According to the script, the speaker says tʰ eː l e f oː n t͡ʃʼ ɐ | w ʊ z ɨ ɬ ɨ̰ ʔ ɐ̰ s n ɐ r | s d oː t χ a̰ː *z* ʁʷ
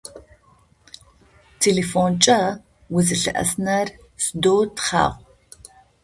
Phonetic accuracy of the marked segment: incorrect: none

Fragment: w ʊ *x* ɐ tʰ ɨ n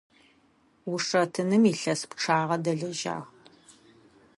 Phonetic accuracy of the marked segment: incorrect: ʂ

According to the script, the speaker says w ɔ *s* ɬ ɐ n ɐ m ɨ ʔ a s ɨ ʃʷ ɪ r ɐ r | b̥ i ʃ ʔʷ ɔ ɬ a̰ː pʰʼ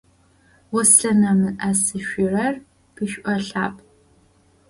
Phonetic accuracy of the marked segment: correct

